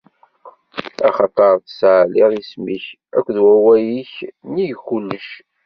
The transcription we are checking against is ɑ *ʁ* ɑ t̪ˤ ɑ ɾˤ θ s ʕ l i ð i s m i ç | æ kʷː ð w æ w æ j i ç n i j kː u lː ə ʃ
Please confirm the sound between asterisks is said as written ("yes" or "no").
no